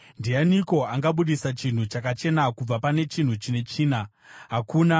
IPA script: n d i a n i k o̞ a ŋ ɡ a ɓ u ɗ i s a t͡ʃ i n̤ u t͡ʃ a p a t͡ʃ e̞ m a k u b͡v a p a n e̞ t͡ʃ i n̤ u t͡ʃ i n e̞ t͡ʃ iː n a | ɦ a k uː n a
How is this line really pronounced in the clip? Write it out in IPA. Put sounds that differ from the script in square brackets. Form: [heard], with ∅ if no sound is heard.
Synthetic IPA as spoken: n d i a n i k o̞ a ŋ ɡ a ɓ u ɗ i s a t͡ʃ i n̤ u t͡ʃ a [k] a t͡ʃ e̞ [n] a k u b͡v a p a n e̞ t͡ʃ i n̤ u t͡ʃ i n e̞ t͡ʃ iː n a | ɦ a k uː n a